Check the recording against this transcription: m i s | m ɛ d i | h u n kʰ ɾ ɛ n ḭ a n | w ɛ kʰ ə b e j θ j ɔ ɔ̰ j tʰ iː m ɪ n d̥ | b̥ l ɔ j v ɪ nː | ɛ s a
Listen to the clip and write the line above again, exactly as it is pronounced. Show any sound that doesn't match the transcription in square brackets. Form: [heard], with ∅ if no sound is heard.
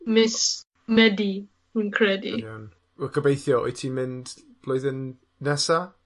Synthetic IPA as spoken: m [ɪ] s | m ɛ d i | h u n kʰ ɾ ɛ [d] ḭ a n | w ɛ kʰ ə b e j θ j ɔ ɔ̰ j tʰ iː m ɪ n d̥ | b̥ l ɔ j [ð] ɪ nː | ɛ s a